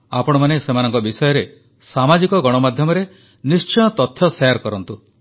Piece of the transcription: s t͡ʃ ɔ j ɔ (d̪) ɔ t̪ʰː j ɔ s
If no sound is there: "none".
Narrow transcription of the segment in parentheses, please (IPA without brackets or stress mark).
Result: t̪